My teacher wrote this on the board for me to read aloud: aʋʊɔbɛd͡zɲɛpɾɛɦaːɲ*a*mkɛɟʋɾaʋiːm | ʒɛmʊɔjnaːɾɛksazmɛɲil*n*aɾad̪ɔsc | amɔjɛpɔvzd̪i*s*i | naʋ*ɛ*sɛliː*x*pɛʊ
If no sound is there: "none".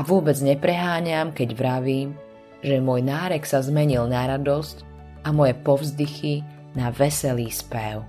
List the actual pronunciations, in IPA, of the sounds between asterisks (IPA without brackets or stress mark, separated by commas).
a, n, x, ɛ, s